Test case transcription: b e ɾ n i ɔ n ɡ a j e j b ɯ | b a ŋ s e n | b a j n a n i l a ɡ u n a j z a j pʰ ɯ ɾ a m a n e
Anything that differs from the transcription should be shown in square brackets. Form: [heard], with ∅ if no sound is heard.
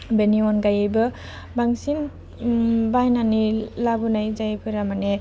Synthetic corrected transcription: b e [∅] n i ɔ n ɡ a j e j b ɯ | b a ŋ s [i] n | b a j n a n i l a [b] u n a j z a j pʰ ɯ ɾ a m a n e

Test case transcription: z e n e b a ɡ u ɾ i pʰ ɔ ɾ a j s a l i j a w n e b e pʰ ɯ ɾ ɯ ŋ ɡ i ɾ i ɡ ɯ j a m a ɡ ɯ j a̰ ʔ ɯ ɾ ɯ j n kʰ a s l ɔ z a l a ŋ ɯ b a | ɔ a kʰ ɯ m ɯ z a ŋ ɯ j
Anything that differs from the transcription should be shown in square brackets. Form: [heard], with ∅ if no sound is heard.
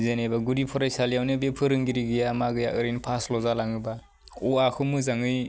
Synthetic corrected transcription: z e n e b a ɡ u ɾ i pʰ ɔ ɾ a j s a l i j a w n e b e pʰ ɯ ɾ ɯ ŋ ɡ i ɾ i ɡ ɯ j a m a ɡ ɯ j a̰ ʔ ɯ ɾ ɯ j n [pʰ] a s l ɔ z a l a ŋ ɯ b a | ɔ a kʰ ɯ m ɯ z a ŋ ɯ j

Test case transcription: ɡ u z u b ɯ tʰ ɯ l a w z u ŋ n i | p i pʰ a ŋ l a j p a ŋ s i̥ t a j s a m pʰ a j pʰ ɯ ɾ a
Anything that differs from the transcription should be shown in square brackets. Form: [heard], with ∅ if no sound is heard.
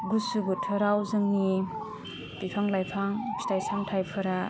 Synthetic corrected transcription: ɡ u [s] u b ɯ tʰ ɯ [ɾ] a w z [ɯ] ŋ n i | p i pʰ a ŋ l a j [pʰ] a ŋ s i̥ t a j s a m [tʰ] a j pʰ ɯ ɾ a

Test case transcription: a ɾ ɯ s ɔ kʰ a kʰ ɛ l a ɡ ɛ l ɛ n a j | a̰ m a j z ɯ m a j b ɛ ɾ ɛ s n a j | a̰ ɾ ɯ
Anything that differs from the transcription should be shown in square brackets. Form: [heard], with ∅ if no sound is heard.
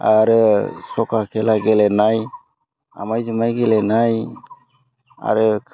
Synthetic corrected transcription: a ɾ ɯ s ɔ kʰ a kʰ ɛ l a ɡ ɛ l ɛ n a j | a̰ m a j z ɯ m a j [ɡ] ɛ [l] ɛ [∅] n a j | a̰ ɾ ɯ

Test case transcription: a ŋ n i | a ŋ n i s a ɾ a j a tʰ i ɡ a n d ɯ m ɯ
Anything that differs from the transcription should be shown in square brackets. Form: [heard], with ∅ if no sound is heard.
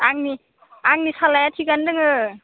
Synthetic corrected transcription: a ŋ n i | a ŋ n i s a [l] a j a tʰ i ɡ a n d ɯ [ŋ] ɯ

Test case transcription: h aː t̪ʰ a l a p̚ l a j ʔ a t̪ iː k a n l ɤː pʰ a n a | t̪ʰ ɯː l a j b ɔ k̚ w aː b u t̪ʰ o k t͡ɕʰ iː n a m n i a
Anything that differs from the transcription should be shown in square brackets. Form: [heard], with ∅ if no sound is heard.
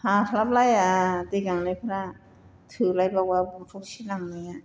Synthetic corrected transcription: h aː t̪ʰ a l a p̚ l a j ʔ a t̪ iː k a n l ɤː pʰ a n a | t̪ʰ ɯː l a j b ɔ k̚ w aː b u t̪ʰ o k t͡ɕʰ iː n a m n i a

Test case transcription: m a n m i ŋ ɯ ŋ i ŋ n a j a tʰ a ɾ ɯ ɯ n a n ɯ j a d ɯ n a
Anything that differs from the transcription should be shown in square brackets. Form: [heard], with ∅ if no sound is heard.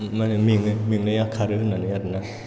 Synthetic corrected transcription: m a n m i ŋ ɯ [m] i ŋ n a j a [kʰ] a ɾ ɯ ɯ n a n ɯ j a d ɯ n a

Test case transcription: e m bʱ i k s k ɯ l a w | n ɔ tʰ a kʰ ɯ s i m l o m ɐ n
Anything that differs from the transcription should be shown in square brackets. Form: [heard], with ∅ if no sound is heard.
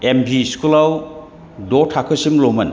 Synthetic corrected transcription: e m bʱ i [∅] s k [u] l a w | [d] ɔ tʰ a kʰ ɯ s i m l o m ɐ n

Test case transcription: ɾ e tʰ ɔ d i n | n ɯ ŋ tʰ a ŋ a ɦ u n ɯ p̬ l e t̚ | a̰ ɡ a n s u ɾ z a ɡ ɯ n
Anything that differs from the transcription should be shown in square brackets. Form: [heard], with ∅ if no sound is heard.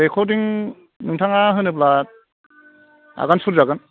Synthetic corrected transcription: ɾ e [kʰ] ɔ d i [ŋ] | n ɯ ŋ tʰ a ŋ a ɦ [ɯ] n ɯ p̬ l [a] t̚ | a̰ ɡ a n s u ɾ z a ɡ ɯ n

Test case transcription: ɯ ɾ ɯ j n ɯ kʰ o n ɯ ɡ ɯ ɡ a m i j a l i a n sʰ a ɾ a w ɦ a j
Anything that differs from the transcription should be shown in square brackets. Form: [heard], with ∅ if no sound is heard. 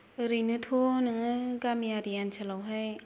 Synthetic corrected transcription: ɯ ɾ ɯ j n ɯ [tʰ] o n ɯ [ŋ] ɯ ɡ a m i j a [ɾ] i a n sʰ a [l] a w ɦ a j

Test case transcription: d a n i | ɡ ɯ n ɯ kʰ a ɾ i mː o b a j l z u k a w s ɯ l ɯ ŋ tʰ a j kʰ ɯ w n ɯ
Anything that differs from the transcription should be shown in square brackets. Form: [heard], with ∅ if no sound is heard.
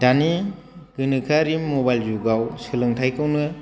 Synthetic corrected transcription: d a n i | ɡ ɯ n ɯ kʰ a ɾ i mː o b a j l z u [ɡ] a w s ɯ l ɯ ŋ tʰ a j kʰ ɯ w n ɯ

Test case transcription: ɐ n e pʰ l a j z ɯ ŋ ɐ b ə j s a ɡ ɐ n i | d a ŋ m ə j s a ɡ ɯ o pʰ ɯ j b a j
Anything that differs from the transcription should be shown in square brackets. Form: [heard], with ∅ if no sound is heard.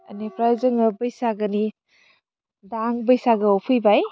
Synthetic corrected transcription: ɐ n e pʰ [ɾ] a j z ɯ ŋ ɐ b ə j s a ɡ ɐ n i | d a ŋ [b] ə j s a ɡ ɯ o pʰ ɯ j b a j

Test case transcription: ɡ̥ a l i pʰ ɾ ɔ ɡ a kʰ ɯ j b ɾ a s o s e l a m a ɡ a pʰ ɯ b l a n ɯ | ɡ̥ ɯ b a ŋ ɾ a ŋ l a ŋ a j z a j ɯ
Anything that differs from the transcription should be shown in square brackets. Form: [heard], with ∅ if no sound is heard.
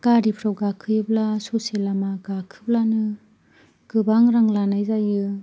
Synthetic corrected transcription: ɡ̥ a [ɾ] i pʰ ɾ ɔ ɡ a kʰ ɯ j b [l] a s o s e l a m a ɡ a [kʰ] ɯ b l a n ɯ | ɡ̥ ɯ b a ŋ ɾ a ŋ l a [n] a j z a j ɯ

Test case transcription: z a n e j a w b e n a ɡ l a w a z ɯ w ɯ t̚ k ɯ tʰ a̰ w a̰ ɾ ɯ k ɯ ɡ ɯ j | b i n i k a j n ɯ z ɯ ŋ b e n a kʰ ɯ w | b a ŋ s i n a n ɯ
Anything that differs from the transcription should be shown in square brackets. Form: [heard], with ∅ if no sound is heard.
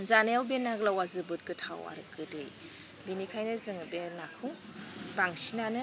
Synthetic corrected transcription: z a n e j a w b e n a ɡ l a w a z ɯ [b] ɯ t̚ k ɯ tʰ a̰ w a̰ ɾ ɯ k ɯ [d] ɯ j | b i n i [kʰ] a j n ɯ z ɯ ŋ b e n a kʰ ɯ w | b a ŋ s i n a n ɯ

